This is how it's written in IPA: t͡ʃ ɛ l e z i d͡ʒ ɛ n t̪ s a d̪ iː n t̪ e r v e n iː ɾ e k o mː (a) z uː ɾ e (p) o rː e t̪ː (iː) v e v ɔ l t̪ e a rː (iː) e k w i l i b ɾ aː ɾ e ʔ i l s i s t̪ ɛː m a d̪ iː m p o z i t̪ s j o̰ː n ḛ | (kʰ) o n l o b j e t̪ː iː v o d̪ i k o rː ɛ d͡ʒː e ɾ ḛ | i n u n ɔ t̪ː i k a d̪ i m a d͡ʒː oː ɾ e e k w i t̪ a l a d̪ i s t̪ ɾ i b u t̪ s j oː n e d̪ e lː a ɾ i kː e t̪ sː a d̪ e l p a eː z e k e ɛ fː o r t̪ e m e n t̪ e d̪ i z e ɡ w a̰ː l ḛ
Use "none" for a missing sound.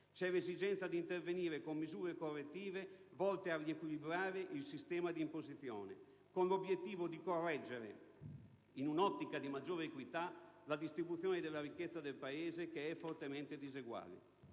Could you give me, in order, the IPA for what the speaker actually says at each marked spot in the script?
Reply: i, k, iː, i, k

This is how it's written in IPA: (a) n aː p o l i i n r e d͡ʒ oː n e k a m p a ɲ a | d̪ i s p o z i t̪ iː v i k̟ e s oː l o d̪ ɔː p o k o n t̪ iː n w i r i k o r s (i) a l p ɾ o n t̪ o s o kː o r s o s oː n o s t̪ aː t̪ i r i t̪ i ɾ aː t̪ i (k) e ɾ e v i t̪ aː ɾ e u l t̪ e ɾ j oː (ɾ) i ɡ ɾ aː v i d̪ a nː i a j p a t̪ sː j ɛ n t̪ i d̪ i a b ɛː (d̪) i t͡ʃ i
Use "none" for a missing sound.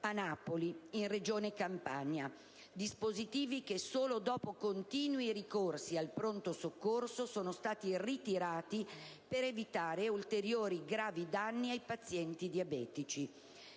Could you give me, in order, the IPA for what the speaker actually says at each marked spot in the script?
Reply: a, i, p, ɾ, t̪

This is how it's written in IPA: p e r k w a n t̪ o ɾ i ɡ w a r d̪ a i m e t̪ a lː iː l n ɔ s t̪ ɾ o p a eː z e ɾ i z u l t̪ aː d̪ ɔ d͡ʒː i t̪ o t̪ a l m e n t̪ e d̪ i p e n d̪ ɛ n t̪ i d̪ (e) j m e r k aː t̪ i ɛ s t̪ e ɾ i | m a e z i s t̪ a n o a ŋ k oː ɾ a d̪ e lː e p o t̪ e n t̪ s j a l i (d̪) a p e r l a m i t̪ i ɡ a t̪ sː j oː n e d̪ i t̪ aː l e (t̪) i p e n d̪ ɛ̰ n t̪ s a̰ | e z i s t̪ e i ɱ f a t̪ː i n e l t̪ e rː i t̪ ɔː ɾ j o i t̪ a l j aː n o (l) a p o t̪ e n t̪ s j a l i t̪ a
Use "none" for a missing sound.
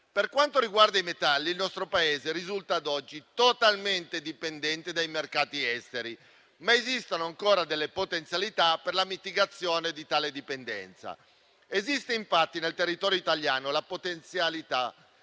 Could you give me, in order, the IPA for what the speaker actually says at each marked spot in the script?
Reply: a, t̪, d̪, l

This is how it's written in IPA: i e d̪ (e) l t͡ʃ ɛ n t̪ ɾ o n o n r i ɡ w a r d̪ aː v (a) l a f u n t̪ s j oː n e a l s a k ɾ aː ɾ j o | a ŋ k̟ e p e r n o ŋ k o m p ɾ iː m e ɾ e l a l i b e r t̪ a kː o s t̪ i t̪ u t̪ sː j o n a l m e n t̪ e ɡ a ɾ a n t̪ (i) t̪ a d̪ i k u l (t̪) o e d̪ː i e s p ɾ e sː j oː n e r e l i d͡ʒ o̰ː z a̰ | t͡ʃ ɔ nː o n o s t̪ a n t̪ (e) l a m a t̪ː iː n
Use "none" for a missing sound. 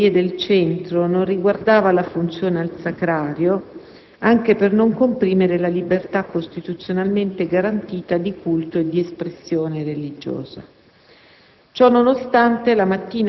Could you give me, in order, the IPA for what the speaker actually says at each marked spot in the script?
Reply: e, a, iː, t̪, e

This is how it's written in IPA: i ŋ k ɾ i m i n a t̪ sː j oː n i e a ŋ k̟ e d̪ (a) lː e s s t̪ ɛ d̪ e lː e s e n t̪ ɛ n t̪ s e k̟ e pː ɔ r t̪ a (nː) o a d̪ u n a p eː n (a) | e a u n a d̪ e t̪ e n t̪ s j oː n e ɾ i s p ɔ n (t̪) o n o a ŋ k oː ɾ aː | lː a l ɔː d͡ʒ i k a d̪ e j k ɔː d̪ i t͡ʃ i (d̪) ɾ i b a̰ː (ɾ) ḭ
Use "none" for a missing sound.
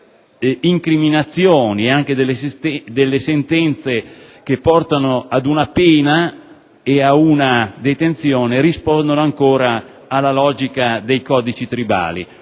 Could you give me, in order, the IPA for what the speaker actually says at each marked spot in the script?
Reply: e, n, a, d̪, t̪, l

